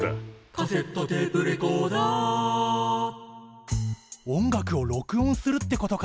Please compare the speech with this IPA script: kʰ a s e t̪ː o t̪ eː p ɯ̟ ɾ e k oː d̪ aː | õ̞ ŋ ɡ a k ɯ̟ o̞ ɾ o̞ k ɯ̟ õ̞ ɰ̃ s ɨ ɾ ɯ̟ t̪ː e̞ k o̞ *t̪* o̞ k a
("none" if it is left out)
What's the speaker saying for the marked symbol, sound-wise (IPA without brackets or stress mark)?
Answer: t̪